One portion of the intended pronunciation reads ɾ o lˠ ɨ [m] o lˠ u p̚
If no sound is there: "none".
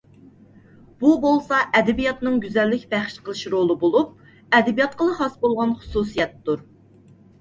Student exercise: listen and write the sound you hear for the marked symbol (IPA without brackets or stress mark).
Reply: b